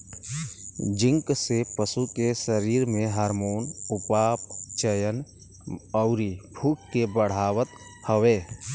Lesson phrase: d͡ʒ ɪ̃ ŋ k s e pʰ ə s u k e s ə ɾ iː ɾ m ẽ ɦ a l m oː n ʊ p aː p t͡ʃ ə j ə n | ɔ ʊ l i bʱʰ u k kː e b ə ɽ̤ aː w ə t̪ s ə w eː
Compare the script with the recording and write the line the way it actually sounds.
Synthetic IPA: d͡ʒ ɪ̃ ŋ k s e p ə s u k e s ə ɾ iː ɾ m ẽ ɦ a ɾ m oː n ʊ p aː p t͡ʃ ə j ə n | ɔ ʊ ɾ i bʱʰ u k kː e b ə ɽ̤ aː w ə t̪ h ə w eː